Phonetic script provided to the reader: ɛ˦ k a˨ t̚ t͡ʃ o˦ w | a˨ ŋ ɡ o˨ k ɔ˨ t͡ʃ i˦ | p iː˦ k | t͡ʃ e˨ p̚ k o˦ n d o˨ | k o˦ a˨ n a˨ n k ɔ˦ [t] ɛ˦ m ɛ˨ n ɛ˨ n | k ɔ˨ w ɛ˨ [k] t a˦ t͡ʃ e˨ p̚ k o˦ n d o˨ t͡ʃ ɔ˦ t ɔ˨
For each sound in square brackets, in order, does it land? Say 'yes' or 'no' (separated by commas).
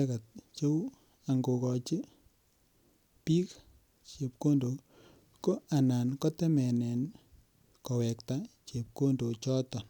yes, yes